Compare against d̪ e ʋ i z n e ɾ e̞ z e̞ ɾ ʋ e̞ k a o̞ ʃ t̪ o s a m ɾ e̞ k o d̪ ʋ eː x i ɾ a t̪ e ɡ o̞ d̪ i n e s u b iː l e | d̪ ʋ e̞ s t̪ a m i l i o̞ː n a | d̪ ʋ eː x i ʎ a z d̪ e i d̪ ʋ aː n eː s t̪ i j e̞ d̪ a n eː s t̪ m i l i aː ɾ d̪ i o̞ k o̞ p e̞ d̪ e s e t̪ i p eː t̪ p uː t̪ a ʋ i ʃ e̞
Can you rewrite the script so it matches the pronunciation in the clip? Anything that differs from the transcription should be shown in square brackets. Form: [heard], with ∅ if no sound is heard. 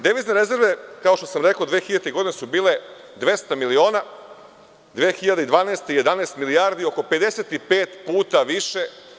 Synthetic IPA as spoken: d̪ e ʋ i z n e ɾ e̞ z e̞ ɾ ʋ e̞ k a o̞ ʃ t̪ o s a m ɾ e̞ k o d̪ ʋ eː x i [ʎ] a t̪ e ɡ o̞ d̪ i n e s u b iː l e | d̪ ʋ e̞ s t̪ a m i l i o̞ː n a | d̪ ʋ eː x i ʎ a [∅] d̪ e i d̪ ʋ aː n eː s t̪ i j e̞ d̪ a n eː s t̪ m i l i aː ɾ d̪ i o̞ k o̞ p e̞ d̪ e s e t̪ i p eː t̪ p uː t̪ a ʋ i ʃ e̞